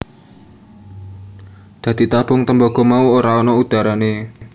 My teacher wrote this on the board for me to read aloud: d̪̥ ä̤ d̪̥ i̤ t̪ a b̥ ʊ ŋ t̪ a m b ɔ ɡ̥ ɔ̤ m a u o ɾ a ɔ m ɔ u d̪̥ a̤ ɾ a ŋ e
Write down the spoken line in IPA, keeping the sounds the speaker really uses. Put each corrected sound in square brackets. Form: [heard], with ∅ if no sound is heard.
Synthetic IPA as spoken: d̪̥ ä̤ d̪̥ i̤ t̪ a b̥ ʊ ŋ t̪ [ə] m b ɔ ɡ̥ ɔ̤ m a u o ɾ a ɔ [n] ɔ u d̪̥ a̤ ɾ a [n] e